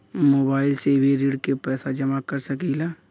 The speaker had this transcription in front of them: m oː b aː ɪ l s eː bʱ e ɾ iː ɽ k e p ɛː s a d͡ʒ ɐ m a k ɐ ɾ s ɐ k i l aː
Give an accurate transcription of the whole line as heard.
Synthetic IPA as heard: m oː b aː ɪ l s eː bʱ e ɾ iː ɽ k e p ɛː s a d͡ʒ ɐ m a k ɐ ɾ s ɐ k i l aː